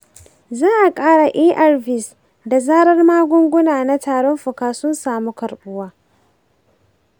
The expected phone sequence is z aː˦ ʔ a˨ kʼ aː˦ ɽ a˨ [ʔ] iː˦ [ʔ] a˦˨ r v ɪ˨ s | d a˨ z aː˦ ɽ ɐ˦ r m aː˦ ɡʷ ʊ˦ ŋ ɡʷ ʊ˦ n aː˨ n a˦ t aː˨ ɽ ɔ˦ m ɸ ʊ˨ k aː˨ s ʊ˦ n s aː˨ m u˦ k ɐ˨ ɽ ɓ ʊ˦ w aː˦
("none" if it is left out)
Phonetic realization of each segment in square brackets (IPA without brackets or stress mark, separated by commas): ʔ, ʔ